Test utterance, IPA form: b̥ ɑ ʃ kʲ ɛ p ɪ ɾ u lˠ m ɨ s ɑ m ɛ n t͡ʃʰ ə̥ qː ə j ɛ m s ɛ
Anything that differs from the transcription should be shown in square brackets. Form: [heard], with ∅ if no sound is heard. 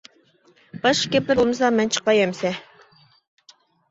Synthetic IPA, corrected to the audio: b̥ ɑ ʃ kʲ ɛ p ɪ ɾ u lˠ m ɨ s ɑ m ɛ n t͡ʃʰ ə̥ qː [ɑ] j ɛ m s ɛ